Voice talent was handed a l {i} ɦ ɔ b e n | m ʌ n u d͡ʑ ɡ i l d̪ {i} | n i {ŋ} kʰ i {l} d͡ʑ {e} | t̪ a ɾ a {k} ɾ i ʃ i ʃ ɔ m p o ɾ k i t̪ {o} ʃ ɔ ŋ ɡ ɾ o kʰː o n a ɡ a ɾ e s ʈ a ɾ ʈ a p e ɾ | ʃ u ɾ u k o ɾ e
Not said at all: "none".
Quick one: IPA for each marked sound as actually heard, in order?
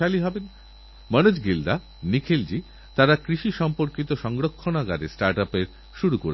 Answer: i, a, none, l, i, k, o

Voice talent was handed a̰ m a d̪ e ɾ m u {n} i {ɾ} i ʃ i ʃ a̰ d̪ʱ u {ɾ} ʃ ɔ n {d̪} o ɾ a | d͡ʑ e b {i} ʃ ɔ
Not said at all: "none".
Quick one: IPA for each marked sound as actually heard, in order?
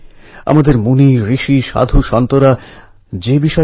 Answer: n, ɾ, none, t̪, i

